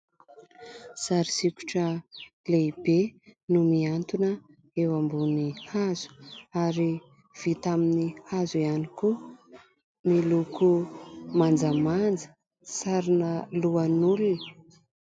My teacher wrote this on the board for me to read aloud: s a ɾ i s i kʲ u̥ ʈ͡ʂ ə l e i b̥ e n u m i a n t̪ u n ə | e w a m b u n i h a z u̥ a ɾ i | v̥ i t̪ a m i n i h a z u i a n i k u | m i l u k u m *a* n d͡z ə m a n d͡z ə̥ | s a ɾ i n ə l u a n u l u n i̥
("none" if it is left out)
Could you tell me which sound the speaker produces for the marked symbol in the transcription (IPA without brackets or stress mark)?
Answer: a